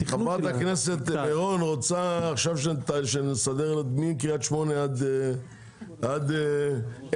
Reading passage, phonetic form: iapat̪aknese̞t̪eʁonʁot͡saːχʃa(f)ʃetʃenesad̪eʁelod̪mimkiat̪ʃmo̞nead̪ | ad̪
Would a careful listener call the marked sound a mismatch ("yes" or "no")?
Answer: yes